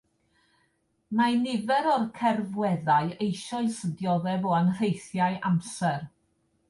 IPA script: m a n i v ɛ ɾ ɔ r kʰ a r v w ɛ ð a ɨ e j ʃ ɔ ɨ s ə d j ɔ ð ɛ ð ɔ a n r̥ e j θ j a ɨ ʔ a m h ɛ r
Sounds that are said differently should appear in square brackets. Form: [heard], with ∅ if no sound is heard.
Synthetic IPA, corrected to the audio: m a n [ɪ] v ɛ ɾ ɔ r kʰ [ɛ] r v w ɛ ð a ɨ e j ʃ ɔ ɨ s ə d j ɔ ð ɛ [v] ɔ a n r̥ e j θ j a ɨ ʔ a m [s] ɛ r